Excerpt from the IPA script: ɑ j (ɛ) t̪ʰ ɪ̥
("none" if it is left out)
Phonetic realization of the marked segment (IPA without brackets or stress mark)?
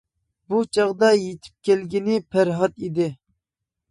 e